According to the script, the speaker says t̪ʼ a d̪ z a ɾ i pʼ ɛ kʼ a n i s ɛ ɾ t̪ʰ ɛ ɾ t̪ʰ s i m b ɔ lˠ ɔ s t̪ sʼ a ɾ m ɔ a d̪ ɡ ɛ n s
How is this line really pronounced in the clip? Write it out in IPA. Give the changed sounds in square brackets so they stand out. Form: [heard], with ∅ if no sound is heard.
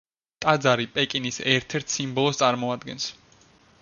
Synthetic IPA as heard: t̪ʼ a d̪ z a ɾ i pʼ ɛ kʼ [i] n i s ɛ ɾ t̪ʰ ɛ ɾ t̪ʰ s i m b ɔ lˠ ɔ s t̪ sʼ a ɾ m ɔ a d̪ ɡ ɛ n s